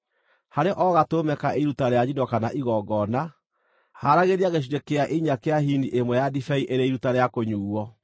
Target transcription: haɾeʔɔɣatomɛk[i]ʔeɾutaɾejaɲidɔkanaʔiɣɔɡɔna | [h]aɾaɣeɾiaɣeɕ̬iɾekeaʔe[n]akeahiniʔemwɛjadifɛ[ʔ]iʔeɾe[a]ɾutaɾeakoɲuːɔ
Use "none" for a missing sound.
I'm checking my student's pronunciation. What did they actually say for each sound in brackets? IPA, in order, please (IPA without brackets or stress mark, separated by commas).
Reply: a, h, ɲ, none, i